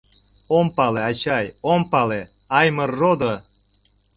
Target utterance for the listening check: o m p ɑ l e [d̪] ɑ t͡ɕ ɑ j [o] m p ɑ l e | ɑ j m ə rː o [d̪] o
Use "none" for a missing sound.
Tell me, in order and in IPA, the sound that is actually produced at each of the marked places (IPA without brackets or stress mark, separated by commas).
none, o, d̪